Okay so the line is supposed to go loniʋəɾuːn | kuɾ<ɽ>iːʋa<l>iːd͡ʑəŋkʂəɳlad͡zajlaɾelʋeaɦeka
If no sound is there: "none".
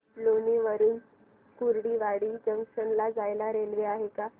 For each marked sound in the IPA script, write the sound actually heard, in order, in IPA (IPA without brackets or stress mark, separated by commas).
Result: ɽ, ɽ